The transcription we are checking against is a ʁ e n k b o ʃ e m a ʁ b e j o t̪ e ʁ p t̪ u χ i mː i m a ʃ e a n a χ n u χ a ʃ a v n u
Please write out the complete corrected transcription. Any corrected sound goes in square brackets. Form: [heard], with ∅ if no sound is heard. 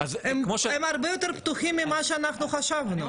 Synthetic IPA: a [z] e [m] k [m] o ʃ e m a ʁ b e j o t̪ e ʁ p t̪ u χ i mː i m a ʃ e a n a χ n u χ a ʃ a v n u